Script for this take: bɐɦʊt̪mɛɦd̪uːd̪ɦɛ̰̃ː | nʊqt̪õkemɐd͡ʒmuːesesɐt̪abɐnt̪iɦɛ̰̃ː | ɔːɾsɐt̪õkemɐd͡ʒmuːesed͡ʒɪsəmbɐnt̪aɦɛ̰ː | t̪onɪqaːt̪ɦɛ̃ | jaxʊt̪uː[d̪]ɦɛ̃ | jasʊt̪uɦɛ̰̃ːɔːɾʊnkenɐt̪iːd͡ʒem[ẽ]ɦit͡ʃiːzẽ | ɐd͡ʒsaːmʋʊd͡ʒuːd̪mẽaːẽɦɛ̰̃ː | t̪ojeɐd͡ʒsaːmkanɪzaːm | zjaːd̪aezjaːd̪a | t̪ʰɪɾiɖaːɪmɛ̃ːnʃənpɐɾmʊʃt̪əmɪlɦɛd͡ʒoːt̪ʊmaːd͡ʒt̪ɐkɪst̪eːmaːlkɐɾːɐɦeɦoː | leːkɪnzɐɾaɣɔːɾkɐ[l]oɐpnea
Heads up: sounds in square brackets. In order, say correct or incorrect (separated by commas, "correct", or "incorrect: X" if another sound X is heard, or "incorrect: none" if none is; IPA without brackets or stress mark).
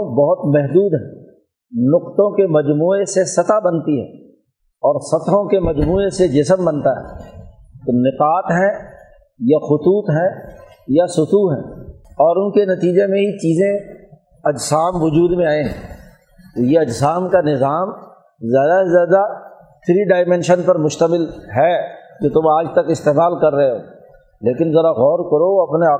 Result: incorrect: t̪, correct, incorrect: ɾ